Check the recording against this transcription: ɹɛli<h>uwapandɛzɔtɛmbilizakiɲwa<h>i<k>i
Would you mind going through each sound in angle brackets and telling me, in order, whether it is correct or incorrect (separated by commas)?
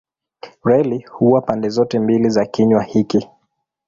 correct, correct, correct